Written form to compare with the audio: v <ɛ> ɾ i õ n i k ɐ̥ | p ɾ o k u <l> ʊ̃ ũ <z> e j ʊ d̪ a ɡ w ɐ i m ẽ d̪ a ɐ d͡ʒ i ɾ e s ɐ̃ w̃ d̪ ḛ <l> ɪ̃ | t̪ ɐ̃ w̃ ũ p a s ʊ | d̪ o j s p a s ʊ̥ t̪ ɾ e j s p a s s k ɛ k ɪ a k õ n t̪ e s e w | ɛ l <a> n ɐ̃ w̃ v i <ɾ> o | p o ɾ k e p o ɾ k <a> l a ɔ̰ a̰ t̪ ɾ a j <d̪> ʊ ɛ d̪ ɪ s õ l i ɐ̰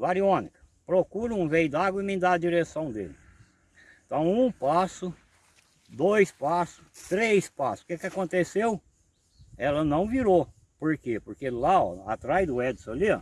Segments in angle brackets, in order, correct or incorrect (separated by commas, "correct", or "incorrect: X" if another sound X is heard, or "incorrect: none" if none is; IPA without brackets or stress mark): incorrect: a, incorrect: ɾ, incorrect: v, correct, incorrect: ɐ, correct, incorrect: e, correct